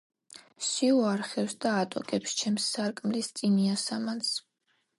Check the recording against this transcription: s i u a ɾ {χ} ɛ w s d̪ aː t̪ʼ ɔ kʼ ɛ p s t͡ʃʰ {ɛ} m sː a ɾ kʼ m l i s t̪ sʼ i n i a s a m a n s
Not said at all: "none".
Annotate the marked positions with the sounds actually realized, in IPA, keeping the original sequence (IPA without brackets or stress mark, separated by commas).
χ, ɛ